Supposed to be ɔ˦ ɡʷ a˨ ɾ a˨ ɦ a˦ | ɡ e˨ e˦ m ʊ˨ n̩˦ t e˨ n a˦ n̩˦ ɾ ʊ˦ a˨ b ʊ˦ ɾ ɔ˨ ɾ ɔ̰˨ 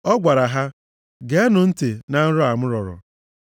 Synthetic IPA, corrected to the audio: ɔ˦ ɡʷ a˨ ɾ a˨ ɦ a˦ | ɡ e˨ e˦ n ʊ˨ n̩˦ t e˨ n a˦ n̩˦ ɾ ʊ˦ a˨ m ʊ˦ ɾ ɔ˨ ɾ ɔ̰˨